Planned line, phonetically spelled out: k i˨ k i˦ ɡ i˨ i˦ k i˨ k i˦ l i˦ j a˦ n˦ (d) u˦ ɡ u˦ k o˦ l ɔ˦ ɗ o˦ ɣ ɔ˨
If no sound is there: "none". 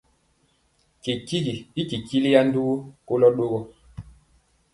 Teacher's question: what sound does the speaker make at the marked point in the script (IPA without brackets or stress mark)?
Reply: d